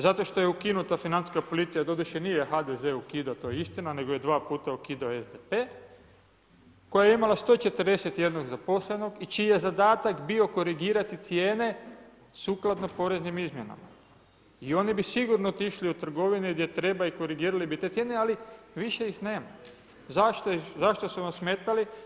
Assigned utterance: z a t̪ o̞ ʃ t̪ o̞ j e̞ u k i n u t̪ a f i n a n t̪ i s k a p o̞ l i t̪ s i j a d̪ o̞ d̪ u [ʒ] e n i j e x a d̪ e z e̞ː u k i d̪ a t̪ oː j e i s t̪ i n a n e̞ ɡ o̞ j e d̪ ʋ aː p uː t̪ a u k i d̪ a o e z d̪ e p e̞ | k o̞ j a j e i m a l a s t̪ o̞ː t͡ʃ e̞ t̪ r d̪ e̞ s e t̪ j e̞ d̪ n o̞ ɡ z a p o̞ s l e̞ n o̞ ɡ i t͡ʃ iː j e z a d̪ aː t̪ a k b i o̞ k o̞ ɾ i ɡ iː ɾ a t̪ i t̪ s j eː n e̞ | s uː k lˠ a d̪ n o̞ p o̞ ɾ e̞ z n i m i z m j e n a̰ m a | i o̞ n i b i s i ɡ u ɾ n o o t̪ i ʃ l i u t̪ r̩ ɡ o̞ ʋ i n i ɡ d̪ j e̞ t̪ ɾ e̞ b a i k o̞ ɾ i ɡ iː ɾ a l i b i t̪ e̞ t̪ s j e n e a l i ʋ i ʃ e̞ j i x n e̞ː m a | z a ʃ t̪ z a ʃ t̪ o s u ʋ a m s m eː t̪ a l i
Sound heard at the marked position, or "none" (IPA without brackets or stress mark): ʃ